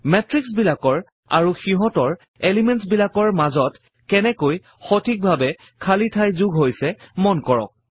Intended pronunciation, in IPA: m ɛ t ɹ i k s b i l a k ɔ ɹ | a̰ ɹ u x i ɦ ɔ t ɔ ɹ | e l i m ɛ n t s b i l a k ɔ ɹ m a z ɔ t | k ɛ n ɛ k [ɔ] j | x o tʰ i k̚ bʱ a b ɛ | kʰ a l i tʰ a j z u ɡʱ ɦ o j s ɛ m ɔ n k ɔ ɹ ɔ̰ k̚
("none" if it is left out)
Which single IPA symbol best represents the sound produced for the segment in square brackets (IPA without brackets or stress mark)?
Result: o